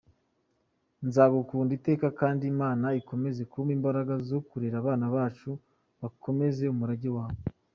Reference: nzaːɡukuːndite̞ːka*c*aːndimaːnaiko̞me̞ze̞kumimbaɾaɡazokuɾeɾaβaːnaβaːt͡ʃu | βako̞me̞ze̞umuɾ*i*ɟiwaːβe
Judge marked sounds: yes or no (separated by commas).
no, no